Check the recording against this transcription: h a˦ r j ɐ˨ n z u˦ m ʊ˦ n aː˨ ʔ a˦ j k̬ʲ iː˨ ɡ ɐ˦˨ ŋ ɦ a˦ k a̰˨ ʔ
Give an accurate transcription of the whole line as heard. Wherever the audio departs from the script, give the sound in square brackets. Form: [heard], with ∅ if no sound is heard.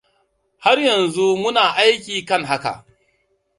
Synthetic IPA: h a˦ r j ɐ˨ n z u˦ m ʊ˦ n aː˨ ʔ a˦ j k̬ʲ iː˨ [k] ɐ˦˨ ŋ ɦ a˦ k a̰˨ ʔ